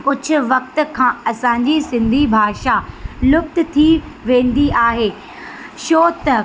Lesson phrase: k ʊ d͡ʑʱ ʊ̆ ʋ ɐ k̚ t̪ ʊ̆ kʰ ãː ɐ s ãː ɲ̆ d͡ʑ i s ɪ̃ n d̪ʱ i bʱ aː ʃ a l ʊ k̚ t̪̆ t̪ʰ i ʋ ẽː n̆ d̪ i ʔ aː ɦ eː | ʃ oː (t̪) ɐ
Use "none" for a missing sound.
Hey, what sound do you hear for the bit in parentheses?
t̪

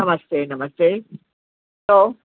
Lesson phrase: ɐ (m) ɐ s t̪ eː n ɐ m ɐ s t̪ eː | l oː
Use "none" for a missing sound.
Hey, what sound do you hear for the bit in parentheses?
m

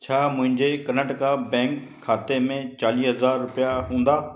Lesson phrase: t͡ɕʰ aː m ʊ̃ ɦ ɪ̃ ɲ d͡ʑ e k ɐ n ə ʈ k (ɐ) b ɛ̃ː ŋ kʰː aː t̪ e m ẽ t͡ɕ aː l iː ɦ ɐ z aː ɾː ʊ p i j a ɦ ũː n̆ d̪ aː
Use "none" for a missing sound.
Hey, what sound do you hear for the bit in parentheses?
a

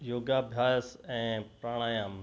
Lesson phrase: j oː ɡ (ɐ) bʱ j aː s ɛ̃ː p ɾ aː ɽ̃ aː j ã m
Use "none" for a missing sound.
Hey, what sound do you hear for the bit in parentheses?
a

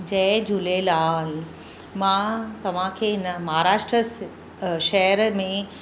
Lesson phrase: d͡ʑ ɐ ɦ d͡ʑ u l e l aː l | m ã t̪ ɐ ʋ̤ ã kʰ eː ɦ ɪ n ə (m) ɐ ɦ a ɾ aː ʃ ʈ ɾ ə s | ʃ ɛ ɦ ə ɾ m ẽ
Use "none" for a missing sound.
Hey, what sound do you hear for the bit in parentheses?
m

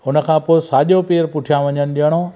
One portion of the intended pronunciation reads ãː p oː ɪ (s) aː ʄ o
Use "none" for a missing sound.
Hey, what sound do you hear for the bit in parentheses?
s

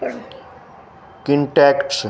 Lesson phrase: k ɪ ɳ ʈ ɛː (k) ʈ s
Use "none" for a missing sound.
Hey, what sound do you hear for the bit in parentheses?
k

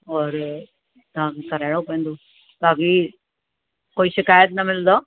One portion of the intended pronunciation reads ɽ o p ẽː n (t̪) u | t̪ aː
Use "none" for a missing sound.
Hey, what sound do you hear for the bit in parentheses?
d̪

